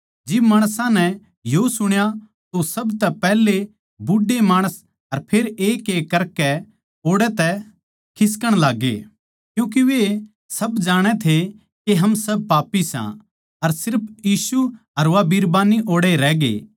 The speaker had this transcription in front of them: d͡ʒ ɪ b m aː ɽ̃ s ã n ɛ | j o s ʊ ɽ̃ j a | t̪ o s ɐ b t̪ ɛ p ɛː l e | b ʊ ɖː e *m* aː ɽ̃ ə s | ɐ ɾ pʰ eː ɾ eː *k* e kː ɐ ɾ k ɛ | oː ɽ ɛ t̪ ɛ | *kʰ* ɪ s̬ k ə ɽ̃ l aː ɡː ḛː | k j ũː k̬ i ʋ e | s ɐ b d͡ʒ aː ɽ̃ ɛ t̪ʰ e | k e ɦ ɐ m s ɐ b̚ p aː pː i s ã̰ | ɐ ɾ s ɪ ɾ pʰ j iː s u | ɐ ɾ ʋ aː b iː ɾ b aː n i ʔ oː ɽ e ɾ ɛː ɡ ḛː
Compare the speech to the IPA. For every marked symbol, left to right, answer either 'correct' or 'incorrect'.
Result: correct, correct, correct

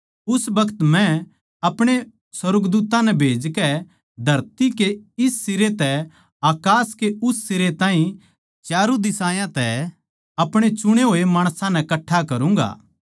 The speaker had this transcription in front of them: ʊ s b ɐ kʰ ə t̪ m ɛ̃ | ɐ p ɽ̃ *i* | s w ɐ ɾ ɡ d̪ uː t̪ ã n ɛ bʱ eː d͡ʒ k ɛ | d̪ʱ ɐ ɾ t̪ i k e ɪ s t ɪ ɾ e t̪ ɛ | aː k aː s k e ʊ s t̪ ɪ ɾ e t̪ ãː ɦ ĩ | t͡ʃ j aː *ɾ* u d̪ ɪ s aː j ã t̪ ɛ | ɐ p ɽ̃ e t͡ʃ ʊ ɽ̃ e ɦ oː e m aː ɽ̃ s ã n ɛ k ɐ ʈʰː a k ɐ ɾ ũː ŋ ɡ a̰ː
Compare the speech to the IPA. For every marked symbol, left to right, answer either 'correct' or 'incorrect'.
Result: incorrect, correct

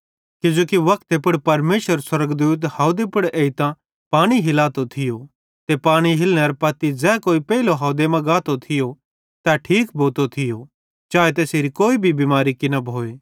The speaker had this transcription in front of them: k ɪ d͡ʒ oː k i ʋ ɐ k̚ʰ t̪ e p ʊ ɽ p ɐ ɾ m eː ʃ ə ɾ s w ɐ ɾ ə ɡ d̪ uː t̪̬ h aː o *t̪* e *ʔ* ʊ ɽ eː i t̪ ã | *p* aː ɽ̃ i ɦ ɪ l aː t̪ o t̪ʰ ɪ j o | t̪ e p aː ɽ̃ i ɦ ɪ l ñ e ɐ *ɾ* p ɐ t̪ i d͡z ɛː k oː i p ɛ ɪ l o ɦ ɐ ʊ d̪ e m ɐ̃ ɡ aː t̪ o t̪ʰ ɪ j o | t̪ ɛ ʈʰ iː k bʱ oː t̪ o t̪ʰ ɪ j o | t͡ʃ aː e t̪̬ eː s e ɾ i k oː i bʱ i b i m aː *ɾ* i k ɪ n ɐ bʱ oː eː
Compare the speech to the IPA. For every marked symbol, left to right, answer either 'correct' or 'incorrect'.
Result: incorrect, incorrect, correct, correct, correct

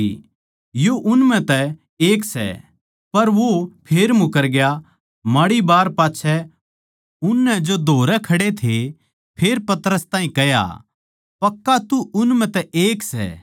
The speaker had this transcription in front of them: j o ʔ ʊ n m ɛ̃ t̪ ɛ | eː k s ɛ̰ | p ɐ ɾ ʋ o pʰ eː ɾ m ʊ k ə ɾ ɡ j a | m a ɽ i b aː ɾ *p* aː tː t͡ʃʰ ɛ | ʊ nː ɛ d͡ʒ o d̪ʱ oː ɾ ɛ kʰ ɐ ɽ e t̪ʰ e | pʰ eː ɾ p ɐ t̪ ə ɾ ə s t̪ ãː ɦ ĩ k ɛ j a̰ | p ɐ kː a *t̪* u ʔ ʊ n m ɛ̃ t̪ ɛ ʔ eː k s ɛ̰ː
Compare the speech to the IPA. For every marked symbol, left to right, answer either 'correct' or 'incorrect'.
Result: correct, correct

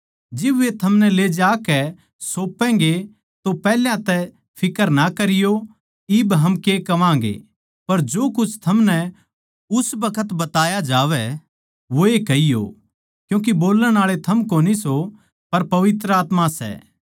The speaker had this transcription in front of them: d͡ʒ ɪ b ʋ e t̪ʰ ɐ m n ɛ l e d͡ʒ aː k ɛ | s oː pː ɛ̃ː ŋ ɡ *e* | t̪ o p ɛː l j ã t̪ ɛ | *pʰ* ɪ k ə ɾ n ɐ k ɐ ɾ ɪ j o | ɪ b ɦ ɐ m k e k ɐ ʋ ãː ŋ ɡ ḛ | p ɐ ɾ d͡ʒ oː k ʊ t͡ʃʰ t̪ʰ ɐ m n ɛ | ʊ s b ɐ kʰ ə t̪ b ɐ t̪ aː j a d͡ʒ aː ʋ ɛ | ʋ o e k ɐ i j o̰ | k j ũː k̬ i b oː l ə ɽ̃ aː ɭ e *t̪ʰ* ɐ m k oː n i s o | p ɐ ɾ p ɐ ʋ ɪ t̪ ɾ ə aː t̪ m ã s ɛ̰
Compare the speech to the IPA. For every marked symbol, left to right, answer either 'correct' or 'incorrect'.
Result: correct, correct, correct

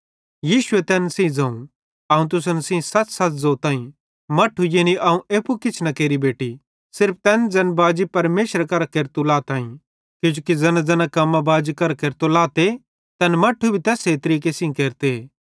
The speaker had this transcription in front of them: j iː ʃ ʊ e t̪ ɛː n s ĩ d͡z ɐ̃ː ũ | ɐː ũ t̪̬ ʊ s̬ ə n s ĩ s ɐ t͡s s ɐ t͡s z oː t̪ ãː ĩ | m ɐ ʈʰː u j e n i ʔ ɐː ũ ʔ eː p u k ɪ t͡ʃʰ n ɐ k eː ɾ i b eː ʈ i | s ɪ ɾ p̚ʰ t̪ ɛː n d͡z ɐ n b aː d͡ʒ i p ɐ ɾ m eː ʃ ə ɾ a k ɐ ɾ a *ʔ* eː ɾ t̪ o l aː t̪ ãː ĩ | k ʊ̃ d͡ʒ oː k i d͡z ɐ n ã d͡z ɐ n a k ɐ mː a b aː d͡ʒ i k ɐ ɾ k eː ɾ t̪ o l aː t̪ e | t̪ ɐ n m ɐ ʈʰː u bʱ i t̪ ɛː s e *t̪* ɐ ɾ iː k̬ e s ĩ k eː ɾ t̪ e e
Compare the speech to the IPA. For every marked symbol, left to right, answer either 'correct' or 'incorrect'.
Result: incorrect, correct

